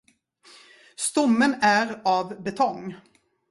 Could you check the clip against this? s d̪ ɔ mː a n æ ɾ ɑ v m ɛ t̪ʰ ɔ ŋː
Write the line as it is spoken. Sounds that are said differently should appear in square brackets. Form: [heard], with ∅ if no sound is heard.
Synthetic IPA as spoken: s [t̪] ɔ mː [ə] n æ ɾ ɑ v [b] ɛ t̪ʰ ɔ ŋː

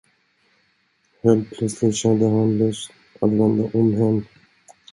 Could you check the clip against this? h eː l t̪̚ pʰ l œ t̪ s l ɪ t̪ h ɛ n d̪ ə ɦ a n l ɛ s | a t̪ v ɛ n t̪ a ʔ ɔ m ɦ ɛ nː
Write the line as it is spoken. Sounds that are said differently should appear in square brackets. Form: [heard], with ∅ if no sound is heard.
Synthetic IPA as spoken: h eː l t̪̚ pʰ l œ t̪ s l ɪ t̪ [ɕ] ɛ n d̪ ə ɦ a n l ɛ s | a t̪ v ɛ n [d̪] a ʔ ɔ m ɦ ɛ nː

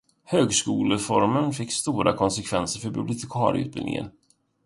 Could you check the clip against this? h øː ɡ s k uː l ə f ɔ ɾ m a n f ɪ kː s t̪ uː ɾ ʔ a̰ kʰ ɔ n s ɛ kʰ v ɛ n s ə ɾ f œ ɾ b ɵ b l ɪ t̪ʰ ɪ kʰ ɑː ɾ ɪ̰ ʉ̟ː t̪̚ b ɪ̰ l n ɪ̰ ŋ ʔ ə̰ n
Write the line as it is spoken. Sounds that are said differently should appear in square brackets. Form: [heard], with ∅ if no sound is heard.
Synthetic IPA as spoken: h øː ɡ s k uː l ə f ɔ ɾ m [ə] n f ɪ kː s t̪ uː ɾ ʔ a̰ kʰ ɔ n s ɛ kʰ v ɛ n s ə ɾ f œ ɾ b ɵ b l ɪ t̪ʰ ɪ kʰ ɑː ɾ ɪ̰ ʉ̟ː t̪̚ b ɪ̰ l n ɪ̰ ŋ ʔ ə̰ n

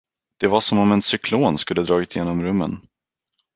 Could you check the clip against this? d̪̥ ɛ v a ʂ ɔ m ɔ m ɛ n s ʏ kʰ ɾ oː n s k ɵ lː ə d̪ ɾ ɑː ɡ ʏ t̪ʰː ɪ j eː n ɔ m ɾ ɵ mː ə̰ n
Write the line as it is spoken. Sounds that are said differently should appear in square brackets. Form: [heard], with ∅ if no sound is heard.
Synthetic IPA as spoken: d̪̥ ɛ v a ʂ ɔ m ɔ m ɛ n s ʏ kʰ [l] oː n s k ɵ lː ə d̪ ɾ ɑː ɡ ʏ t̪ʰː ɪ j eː n ɔ m ɾ ɵ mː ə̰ n

